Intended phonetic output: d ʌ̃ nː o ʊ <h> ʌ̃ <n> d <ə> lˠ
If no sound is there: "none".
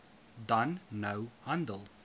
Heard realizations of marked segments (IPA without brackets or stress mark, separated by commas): h, n, ə